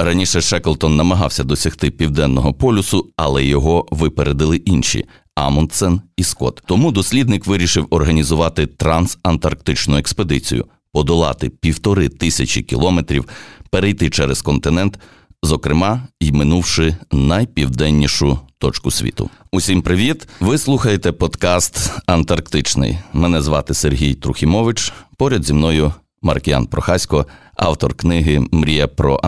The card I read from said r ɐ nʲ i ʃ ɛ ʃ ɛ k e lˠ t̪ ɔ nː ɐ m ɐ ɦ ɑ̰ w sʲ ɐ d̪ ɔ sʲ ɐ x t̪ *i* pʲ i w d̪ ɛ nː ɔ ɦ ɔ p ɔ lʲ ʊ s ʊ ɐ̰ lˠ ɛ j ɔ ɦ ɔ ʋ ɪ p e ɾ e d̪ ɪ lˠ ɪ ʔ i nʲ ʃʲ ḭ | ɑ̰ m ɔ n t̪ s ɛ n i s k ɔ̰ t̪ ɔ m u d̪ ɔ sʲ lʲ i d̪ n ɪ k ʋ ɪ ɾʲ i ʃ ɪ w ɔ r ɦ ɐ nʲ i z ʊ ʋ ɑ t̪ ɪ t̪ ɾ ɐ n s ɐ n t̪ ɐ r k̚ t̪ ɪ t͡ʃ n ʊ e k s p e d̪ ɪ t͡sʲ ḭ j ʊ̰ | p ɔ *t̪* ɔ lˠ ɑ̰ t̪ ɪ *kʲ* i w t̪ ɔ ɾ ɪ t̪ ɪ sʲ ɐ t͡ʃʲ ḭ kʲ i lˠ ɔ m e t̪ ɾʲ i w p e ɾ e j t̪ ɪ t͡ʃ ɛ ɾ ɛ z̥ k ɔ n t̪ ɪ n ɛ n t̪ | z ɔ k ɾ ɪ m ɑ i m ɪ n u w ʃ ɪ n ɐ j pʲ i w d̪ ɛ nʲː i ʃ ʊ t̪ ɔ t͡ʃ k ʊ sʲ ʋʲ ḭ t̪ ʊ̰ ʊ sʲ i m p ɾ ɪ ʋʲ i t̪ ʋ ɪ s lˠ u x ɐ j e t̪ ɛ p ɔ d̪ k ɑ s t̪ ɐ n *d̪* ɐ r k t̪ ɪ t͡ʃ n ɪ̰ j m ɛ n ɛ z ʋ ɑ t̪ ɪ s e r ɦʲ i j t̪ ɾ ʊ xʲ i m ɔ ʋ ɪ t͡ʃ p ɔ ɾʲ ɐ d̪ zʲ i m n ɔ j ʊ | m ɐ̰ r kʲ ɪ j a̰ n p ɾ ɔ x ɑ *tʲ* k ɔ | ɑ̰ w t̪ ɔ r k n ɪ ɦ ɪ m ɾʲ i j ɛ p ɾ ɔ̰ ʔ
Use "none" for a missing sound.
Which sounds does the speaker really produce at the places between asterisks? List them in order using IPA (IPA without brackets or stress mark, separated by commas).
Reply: ɪ, d̪, pʲ, t̪, sʲ